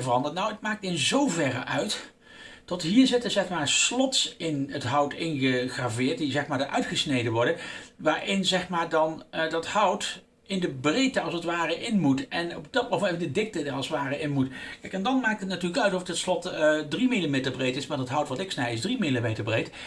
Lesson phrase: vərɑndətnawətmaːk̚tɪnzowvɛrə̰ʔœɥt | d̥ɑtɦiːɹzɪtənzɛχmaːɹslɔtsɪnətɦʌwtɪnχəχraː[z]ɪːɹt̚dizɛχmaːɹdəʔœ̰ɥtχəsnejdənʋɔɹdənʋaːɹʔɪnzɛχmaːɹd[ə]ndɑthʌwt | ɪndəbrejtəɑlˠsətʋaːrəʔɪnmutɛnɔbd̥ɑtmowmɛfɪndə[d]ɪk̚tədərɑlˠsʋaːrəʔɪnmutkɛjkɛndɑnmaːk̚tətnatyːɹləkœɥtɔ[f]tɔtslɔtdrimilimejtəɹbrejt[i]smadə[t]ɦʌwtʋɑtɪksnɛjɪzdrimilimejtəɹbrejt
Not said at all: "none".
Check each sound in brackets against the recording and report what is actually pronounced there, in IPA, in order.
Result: v, ɑ, d, f, ɪ, t

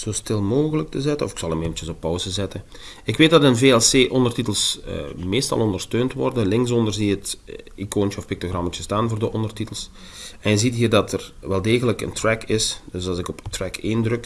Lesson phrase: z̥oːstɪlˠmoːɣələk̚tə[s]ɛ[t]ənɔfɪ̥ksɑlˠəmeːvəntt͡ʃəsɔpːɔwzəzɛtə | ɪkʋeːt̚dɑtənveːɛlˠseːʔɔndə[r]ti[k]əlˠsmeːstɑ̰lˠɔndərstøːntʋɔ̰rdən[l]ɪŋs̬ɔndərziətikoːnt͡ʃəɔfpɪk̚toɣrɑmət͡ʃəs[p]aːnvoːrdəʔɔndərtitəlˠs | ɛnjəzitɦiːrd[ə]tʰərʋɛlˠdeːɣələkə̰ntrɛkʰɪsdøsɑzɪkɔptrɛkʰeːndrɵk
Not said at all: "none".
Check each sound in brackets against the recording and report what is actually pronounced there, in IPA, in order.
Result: z, t, r, t, l, t, ɑ

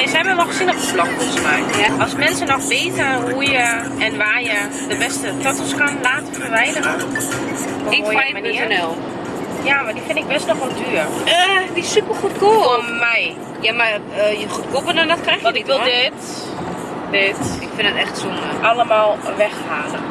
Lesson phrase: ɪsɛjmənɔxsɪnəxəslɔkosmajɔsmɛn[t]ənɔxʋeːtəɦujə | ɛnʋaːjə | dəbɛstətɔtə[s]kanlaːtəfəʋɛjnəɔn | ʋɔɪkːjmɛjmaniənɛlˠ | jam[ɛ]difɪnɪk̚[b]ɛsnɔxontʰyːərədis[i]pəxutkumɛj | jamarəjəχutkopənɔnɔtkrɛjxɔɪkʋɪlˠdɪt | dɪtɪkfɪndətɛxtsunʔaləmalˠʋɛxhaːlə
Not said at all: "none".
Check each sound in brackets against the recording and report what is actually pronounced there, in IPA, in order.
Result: s, s, a, b, y

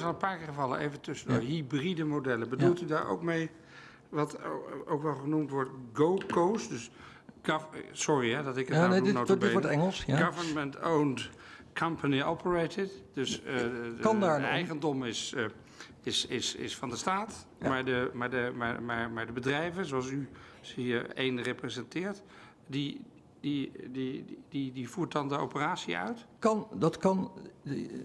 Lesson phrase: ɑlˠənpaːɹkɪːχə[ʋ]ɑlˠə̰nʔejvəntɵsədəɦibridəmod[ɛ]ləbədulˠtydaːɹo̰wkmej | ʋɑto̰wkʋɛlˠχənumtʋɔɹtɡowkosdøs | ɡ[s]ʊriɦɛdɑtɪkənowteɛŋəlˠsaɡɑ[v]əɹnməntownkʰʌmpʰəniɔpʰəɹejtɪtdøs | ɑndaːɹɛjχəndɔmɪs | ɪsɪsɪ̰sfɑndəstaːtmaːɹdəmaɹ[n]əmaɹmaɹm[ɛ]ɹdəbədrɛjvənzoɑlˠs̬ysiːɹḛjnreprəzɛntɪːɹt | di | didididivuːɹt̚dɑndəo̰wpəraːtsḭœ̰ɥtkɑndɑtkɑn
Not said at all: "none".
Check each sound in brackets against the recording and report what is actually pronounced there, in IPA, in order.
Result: v, ɛ, s, v, d, a

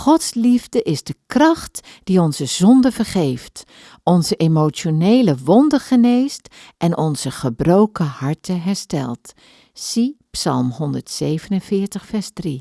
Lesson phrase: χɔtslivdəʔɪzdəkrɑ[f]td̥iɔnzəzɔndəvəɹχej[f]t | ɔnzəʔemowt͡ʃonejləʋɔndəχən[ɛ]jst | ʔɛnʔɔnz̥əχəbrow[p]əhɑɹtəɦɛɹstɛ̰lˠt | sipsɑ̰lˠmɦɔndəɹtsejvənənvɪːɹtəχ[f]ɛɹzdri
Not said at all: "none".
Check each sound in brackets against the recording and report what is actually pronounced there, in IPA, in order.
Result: χ, f, e, k, f

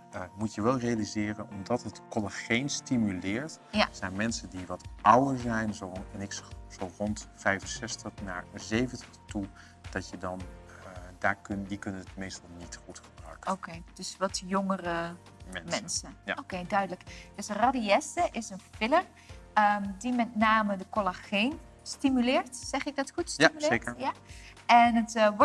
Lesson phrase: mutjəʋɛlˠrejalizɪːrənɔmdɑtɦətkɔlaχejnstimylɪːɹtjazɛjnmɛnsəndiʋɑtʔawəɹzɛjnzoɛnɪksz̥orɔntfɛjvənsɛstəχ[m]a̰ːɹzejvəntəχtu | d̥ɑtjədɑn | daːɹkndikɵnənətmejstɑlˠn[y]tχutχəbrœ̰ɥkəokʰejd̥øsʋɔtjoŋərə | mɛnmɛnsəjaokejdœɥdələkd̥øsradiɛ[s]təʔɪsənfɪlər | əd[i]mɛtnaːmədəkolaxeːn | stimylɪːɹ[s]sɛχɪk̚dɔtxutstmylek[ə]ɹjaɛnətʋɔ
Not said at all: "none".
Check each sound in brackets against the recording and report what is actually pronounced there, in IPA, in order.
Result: n, i, s, i, t, ə

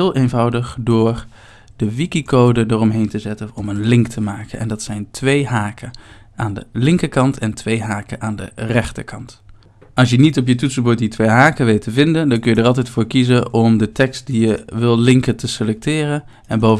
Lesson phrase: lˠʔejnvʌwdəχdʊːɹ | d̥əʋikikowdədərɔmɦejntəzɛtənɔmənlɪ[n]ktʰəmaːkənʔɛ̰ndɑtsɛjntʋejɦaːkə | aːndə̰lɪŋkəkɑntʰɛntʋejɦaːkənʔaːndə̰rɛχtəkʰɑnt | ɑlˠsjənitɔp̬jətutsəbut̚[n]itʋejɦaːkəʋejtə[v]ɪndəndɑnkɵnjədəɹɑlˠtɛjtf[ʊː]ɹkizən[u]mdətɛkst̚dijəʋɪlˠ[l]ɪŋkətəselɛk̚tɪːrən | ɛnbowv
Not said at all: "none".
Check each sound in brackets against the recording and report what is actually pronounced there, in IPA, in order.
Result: ŋ, d, v, ʊː, ɔ, l

